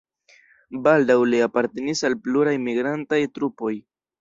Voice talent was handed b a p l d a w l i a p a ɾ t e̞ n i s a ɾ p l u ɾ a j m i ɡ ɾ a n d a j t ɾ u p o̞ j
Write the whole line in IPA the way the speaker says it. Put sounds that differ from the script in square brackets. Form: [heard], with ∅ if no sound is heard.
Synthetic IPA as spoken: b a [∅] l d a w l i a p a ɾ t e̞ n i s a [l] p l u ɾ a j m i ɡ ɾ a n [t] a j t ɾ u p o̞ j